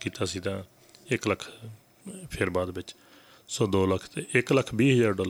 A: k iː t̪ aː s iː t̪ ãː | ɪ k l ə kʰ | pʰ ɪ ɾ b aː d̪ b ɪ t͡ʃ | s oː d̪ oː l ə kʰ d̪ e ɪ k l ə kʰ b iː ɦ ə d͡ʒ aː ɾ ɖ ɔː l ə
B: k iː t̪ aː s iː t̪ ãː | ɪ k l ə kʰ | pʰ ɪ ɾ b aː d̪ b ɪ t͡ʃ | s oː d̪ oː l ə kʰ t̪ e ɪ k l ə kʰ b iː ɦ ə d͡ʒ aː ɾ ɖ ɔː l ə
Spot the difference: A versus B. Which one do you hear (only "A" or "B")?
B